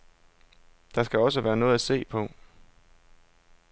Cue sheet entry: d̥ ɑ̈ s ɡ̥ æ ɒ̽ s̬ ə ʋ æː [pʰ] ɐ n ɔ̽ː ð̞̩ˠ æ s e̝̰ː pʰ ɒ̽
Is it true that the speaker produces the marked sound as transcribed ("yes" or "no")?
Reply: no